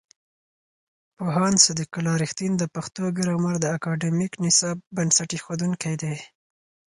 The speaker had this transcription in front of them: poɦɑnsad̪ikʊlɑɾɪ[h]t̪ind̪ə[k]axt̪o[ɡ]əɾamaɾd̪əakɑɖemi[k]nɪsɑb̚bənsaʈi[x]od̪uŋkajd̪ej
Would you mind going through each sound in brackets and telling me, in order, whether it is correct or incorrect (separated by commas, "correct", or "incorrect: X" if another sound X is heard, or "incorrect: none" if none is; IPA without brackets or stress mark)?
incorrect: x, incorrect: p, correct, correct, correct